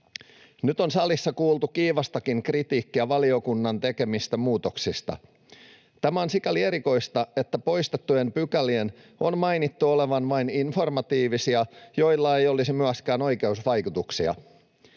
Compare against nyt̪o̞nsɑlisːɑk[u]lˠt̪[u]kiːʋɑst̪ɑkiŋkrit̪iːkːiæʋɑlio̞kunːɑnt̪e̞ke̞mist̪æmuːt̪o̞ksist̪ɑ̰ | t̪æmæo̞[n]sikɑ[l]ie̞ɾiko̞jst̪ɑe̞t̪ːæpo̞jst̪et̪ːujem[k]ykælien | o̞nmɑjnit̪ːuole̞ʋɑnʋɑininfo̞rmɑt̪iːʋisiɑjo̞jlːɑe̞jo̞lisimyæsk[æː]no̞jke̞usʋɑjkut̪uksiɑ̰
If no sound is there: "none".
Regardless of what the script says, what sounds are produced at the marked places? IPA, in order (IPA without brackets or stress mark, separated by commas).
uː, u, n, l, p, æː